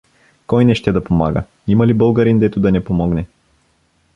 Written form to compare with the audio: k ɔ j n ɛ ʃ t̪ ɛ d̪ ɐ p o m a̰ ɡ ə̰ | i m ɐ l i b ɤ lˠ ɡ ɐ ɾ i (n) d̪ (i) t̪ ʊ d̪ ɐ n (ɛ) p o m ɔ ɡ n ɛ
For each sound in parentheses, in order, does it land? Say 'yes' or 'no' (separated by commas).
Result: yes, no, yes